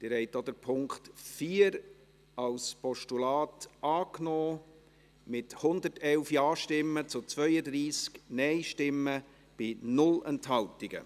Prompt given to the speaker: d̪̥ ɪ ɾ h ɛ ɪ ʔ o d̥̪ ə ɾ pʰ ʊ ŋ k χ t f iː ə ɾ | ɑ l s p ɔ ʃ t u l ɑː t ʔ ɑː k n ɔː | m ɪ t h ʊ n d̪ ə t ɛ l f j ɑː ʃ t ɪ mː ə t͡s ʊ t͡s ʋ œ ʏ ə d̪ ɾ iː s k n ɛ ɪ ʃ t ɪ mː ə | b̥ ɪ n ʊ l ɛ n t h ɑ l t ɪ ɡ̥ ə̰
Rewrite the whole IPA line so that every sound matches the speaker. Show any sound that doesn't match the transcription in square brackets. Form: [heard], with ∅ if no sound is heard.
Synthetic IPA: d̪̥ ɪ ɾ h ɛ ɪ [t] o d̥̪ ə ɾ pʰ ʊ ŋ k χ t f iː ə ɾ | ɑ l s p ɔ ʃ t u l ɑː t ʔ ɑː k n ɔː | m ɪ t h ʊ n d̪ ə t ɛ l f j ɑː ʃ t ɪ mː ə t͡s ʊ t͡s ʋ œ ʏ ə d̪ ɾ iː s k n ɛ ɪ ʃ t ɪ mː ə | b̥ ɪ n ʊ l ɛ n t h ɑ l t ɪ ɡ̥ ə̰